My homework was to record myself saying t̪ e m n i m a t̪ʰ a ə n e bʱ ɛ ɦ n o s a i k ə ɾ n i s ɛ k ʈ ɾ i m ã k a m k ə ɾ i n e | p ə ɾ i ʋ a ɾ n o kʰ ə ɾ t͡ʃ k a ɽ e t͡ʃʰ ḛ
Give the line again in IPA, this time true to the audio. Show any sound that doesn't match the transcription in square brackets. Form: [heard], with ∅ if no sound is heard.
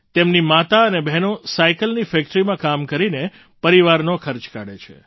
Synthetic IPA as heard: t̪ e m n i m a [t̪] a ə n e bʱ ɛ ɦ n o s a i k ə [l] n i [f] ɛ k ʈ ɾ i m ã k a m k ə ɾ i n e | p ə ɾ i ʋ a ɾ n o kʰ ə ɾ t͡ʃ k a ɽ e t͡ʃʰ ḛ